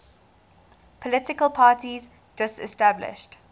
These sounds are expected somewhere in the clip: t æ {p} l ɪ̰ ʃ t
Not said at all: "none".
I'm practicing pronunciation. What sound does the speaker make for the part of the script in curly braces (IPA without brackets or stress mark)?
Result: b